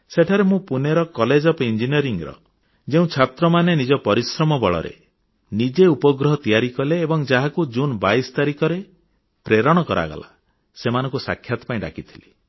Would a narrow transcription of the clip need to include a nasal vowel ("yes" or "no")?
yes